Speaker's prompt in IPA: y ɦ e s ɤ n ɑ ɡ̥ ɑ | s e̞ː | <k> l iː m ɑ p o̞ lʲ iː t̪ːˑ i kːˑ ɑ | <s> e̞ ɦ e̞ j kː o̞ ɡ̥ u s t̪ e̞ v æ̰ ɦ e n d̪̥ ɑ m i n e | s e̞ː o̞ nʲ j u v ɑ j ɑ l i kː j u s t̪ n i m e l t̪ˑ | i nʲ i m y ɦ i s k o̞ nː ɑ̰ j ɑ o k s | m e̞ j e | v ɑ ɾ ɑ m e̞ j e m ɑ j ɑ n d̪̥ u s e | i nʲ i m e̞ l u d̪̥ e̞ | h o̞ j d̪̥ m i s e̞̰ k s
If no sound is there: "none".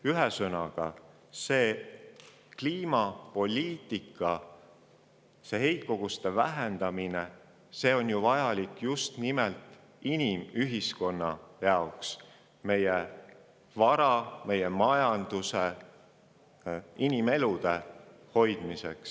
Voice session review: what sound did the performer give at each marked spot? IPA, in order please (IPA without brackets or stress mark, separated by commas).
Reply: k, s